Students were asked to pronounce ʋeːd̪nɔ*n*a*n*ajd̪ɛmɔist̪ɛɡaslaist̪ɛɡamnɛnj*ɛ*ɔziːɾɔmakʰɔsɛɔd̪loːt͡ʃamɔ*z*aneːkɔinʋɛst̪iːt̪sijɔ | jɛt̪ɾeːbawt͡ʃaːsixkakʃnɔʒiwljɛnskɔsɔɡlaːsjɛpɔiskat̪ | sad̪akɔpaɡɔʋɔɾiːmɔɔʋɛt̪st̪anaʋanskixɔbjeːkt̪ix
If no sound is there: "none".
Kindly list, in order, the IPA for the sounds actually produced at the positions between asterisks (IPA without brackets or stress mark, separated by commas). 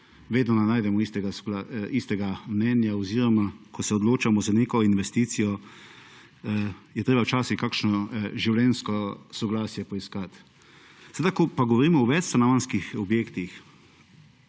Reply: n, n, a, z